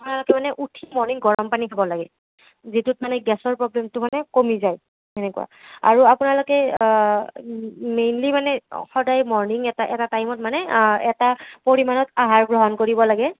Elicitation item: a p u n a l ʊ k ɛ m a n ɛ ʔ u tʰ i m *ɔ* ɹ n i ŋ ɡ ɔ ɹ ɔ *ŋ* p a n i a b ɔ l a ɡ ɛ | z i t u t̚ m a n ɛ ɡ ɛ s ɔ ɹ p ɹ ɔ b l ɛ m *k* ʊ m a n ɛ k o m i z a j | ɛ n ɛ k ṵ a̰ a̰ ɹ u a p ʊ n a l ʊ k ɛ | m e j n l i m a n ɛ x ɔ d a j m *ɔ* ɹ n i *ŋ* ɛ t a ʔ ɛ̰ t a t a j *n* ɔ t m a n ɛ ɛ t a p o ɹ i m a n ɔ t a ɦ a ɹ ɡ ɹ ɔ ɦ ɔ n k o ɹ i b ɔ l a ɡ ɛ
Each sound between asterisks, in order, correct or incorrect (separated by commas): correct, incorrect, incorrect, correct, correct, incorrect